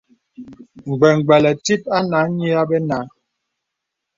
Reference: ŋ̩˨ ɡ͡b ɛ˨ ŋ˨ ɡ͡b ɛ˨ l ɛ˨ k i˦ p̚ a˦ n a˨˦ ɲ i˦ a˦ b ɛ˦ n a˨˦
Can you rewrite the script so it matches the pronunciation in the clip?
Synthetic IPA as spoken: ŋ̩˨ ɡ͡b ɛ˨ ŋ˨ ɡ͡b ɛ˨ l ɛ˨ t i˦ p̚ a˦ n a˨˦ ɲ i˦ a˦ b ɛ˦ n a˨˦